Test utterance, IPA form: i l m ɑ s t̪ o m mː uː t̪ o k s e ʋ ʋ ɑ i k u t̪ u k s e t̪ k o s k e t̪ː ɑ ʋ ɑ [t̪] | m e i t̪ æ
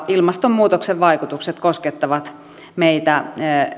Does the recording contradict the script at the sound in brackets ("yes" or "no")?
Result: no